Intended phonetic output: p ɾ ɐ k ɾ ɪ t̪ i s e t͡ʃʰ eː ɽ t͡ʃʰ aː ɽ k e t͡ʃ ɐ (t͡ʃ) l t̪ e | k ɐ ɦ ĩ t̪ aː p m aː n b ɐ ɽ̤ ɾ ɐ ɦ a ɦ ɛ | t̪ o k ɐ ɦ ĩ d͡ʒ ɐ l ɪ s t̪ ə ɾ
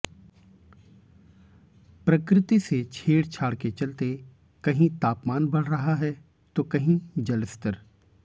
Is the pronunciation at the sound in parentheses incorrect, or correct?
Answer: incorrect